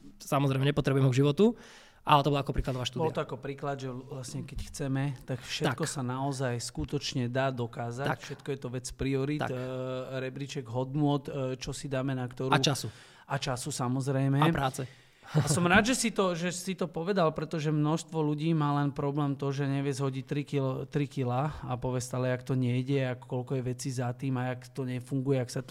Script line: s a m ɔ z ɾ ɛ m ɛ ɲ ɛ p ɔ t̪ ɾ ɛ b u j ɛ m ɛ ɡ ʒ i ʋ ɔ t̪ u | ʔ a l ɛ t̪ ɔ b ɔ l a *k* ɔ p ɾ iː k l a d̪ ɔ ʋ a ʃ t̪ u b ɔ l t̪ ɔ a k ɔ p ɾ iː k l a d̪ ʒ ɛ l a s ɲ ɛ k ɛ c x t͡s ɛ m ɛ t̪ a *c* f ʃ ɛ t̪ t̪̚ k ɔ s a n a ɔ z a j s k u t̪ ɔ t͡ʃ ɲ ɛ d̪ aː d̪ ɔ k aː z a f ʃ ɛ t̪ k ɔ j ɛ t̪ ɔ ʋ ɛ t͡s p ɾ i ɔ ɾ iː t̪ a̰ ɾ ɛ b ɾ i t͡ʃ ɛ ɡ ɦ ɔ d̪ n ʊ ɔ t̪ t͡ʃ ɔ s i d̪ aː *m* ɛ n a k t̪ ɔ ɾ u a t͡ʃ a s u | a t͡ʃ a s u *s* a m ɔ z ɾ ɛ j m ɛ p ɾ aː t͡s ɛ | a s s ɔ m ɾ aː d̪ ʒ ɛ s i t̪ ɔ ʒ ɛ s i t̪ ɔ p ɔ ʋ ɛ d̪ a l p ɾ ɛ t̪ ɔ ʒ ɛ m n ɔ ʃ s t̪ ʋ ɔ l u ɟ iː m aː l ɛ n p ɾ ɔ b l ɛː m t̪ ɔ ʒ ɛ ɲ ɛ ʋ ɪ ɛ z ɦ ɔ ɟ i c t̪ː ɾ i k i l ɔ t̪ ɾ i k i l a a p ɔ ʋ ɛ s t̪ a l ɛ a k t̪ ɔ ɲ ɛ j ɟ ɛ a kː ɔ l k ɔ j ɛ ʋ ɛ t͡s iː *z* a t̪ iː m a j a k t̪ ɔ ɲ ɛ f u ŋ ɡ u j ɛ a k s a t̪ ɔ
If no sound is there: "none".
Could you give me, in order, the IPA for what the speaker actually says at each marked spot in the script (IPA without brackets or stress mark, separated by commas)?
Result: k, k, m, s, z